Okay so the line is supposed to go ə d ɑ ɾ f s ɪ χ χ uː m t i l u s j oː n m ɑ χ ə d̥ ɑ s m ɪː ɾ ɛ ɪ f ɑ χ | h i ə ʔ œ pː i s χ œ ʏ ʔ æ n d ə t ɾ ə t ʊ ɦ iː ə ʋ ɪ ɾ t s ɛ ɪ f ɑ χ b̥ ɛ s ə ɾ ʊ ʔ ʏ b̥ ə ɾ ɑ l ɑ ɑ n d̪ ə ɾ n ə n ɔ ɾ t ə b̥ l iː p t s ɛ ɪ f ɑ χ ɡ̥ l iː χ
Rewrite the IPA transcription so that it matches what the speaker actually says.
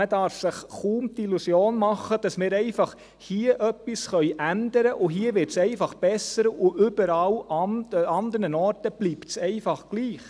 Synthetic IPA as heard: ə d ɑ ɾ f s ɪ χ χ uː m t i l u s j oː n m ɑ χ ə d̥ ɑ s m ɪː ɾ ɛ ɪ f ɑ χ | h i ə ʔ œ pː i s χ œ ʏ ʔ æ n d ə ɾ ə ʔ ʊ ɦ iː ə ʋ ɪ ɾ t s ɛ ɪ f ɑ χ b̥ ɛ s ə ɾ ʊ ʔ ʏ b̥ ə ɾ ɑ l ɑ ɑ n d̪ ə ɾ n ə n ɔ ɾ t ə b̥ l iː p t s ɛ ɪ f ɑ χ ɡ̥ l iː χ